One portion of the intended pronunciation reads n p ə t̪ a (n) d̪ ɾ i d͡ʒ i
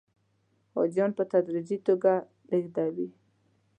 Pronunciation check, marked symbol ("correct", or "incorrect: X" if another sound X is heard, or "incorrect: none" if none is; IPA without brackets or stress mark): incorrect: none